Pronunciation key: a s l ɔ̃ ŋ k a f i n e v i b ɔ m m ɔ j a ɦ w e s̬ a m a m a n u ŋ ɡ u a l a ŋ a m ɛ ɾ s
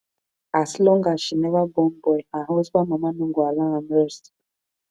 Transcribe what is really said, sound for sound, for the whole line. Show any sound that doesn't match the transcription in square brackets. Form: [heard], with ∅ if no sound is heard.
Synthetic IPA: a s l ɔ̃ ŋ [ɡ] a [ʃ] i n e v [a] b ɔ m [b] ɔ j a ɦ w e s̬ a m a m a n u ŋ ɡ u a l a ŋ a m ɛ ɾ s